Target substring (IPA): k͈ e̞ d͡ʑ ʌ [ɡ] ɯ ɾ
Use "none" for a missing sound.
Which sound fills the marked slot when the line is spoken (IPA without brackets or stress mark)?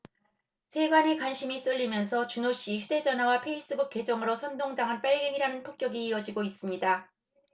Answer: ŋ